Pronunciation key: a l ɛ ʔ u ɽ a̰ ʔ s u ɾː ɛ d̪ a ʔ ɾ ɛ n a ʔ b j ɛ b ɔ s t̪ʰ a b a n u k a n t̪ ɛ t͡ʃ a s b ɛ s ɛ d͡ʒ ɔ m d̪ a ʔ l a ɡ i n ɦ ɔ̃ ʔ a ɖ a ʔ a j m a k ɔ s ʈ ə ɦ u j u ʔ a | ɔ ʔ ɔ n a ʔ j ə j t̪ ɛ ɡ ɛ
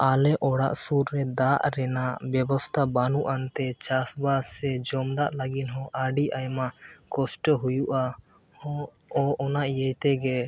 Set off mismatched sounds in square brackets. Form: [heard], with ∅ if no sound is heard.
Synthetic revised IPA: a l ɛ ʔ [ɔ] ɽ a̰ ʔ s u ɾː ɛ d̪ a ʔ ɾ ɛ n a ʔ b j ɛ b ɔ s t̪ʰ a b a n u [ʔ] a n t̪ ɛ t͡ʃ a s b [a] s ɛ d͡ʒ ɔ m d̪ a ʔ l a ɡ i n ɦ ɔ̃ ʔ a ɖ [i] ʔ a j m a k ɔ s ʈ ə ɦ u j u ʔ a | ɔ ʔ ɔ n a ʔ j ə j t̪ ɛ ɡ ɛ